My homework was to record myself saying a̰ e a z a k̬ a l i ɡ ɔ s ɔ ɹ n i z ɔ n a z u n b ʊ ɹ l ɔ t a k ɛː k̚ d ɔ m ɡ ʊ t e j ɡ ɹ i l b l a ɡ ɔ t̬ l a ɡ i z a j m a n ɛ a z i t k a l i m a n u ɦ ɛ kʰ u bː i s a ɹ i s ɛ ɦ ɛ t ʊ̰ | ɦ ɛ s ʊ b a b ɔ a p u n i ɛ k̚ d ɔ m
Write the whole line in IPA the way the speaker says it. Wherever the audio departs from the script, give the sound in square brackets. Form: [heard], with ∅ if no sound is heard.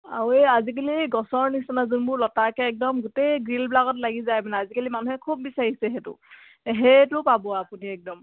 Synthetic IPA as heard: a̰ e a z [i] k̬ a l i ɡ ɔ s ɔ ɹ n i [s] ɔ n a z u n b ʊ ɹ l ɔ t a k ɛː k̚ d ɔ m ɡ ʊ t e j ɡ ɹ i l b l a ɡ ɔ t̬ l a ɡ i z a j m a n ɛ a z i [∅] k a l i m a n u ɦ ɛ kʰ u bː i s a ɹ i s ɛ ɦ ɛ t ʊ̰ | ɦ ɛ [t] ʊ [p] a b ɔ a p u n i ɛ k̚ d ɔ m